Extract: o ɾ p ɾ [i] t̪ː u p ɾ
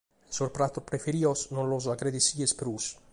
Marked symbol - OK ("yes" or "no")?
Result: no